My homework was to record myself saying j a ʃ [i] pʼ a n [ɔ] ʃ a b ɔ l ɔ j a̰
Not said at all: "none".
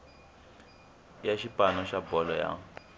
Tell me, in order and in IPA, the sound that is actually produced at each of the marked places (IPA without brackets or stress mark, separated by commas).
i, ɔ